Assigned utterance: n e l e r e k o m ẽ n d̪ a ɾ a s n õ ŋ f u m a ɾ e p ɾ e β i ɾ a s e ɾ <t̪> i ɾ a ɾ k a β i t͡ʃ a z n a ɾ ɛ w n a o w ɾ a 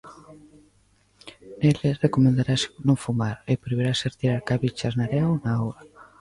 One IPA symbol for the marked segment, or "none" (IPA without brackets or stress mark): t̪